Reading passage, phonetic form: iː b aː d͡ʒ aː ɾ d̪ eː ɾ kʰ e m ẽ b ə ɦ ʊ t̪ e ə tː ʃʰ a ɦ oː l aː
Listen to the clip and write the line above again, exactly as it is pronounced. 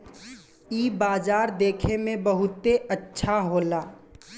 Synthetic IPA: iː b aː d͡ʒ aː ɾ d̪ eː kʰ e m ẽ b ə ɦ ʊ t̪ e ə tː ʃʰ a ɦ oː l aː